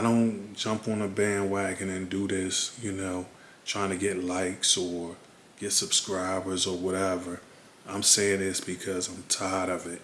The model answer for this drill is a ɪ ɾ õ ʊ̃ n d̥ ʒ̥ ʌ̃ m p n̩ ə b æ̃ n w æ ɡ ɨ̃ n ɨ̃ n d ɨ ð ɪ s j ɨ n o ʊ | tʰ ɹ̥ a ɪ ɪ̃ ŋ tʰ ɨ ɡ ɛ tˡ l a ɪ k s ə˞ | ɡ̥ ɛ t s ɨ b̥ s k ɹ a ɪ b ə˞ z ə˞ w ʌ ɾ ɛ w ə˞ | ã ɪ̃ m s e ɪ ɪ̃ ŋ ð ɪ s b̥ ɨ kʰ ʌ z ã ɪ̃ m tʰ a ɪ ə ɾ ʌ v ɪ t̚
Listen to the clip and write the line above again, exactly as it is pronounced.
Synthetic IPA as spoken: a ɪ ɾ õ ʊ̃ n d̥ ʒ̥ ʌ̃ m p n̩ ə b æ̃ n w æ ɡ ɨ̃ n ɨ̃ n d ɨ ð ɪ s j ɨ n o ʊ | tʰ ɹ̥ a ɪ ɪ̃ ŋ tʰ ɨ ɡ ɛ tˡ l a ɪ k s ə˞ | ɡ̥ ɛ t s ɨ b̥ s k ɹ a ɪ b ə˞ z ə˞ w ʌ ɾ ɛ v ə˞ | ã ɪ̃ m s e ɪ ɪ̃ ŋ ð ɪ s b̥ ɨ kʰ ʌ z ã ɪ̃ m tʰ a ɪ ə ɾ ʌ v ɪ t̚